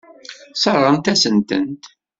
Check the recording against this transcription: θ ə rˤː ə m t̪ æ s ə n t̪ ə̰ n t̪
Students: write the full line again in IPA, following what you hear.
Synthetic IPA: s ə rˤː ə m t̪ æ s ə n t̪ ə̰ n t̪